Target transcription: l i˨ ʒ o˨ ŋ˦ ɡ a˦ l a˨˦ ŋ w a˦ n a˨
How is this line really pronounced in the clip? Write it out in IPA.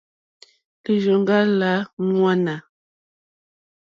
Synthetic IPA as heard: l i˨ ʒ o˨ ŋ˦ ɡ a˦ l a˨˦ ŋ w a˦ n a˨